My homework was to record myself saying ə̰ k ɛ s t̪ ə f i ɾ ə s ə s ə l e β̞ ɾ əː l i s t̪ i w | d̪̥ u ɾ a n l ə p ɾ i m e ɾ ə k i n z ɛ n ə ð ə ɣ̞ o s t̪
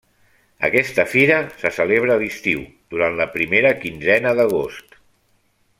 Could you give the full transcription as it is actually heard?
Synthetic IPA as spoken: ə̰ k ɛ s t̪ ə f i ɾ ə s ə s ə l e β̞ ɾ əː l i s t̪ i w | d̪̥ u ɾ a n l ə p ɾ i m e ɾ ə k i n z ɛ n ə ð ə ɣ̞ o s t̪